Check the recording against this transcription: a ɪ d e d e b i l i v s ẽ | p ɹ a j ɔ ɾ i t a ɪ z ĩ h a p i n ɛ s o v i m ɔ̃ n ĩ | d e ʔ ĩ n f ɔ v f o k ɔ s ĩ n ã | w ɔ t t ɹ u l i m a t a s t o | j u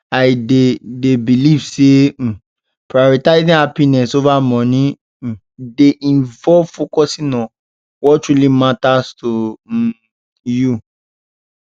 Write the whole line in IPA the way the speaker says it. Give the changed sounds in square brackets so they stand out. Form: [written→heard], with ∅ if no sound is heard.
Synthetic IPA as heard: a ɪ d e d e b i l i v s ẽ | p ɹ a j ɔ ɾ i t a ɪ z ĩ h a p i n ɛ s o v [i→a] m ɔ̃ n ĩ | d e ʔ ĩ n [f→v] ɔ v f o k ɔ s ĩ n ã | w ɔ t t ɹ u l i m a t a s t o | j u